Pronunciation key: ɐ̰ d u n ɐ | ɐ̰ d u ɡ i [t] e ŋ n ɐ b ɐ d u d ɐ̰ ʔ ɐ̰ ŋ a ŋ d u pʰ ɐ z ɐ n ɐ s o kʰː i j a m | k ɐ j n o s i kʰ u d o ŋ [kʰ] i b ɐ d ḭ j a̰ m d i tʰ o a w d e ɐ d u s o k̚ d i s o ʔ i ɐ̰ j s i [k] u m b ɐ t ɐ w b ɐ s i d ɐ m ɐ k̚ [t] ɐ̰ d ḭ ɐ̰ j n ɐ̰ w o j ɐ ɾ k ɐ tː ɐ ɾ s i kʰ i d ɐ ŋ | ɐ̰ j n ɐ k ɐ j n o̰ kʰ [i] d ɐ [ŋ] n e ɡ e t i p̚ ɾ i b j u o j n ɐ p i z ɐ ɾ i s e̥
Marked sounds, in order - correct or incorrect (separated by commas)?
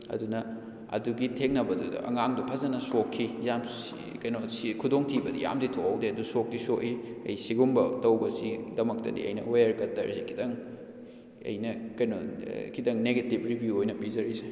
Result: incorrect, incorrect, incorrect, correct, correct, correct